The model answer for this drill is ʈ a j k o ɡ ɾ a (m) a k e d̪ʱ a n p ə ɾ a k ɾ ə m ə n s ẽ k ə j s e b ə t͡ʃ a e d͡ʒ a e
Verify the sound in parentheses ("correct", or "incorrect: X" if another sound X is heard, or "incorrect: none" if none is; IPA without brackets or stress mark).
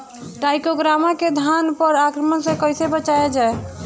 correct